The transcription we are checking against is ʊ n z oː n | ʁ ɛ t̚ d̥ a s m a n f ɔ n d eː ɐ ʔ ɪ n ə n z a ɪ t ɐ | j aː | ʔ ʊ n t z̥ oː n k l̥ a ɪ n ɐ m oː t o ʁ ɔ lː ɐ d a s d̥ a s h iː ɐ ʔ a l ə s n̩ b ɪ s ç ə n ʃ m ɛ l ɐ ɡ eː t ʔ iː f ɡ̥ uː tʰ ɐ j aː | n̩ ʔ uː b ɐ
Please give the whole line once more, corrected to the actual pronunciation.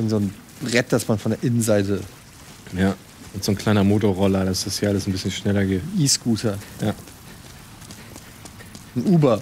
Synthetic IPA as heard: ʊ n z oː n | ʁ ɛ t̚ d̥ a s m a n f ɔ n d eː ɐ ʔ ɪ n ə n z a ɪ t ə | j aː | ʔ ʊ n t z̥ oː n k l̥ a ɪ n ɐ m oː t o ʁ ɔ l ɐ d a s d̥ a s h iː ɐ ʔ a l ə s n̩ b ɪ s ç ə n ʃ n ɛ l ɐ ɡ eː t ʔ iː s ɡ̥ uː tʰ ɐ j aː | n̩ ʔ uː b ɐ